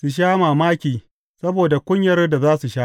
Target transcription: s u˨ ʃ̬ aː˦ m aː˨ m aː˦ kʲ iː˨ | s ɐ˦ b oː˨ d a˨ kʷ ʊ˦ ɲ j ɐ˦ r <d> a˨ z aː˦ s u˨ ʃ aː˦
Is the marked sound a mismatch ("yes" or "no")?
no